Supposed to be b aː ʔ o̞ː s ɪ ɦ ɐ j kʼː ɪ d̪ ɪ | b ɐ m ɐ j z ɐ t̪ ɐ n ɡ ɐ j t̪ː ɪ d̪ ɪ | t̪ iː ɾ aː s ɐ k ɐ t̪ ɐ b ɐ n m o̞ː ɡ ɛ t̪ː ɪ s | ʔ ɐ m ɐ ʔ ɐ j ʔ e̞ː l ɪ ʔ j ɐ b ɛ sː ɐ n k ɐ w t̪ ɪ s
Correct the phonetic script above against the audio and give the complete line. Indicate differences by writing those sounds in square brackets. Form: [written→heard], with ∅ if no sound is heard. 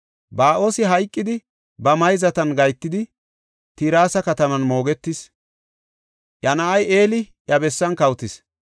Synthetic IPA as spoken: b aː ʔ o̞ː s ɪ ɦ ɐ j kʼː ɪ d̪ ɪ | b ɐ m ɐ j z ɐ t̪ ɐ n ɡ ɐ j t̪ː ɪ d̪ ɪ | t̪ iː ɾ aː s ɐ k ɐ t̪ ɐ [b→m] ɐ n m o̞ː ɡ ɛ t̪ː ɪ s | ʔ ɐ [m→n] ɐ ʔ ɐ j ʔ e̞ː l ɪ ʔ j ɐ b ɛ sː ɐ n k ɐ w t̪ ɪ s